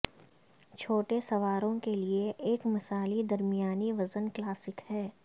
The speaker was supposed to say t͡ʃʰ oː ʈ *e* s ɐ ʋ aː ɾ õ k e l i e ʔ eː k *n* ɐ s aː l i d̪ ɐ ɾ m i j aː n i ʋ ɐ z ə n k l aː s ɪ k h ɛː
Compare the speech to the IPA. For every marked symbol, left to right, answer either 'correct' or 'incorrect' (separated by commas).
correct, incorrect